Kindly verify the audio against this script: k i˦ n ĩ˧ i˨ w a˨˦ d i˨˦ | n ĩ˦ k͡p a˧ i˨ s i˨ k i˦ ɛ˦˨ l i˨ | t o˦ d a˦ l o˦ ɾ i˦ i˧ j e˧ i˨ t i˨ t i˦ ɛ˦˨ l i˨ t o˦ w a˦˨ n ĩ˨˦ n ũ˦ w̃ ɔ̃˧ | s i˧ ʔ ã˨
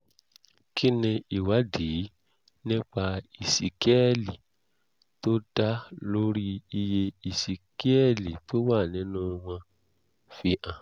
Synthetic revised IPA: k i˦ n ĩ˧ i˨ w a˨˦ d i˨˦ | n ĩ˦ k͡p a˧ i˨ s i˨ k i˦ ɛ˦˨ l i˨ | t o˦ d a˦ l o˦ ɾ i˦ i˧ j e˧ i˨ s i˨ k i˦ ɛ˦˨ l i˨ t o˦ w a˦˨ n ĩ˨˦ n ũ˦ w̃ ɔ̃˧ | f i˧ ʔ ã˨